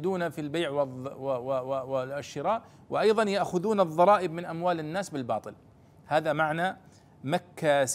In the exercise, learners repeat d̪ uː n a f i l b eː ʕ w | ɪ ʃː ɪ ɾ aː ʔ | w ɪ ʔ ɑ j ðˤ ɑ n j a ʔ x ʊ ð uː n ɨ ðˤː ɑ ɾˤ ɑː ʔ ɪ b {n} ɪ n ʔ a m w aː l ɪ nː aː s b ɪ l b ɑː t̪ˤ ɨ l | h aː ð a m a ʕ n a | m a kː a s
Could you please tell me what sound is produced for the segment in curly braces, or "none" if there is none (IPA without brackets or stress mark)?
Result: m